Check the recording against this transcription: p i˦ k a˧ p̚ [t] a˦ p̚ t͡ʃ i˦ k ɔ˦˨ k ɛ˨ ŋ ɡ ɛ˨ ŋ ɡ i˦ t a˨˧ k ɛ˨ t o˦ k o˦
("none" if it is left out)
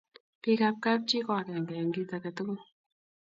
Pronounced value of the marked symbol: k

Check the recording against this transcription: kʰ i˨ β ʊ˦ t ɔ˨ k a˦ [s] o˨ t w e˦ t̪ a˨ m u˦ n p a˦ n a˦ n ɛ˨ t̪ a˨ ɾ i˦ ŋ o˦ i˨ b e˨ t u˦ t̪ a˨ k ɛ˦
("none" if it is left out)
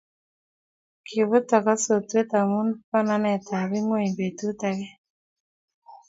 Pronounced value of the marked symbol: s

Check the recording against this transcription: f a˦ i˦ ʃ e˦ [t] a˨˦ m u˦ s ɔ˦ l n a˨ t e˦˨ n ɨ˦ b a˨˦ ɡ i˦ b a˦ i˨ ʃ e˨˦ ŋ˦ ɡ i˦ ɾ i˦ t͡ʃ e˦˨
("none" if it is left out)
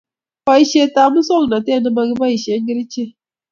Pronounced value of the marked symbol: t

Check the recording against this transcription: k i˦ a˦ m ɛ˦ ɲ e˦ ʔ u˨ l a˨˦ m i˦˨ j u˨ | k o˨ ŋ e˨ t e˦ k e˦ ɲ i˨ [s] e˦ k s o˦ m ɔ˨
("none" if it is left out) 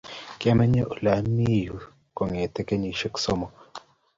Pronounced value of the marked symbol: ʃ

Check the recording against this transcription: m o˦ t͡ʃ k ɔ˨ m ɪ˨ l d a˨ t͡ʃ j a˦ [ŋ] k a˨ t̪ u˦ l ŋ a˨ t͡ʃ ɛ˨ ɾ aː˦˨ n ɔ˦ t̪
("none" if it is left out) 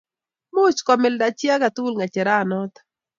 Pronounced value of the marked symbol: none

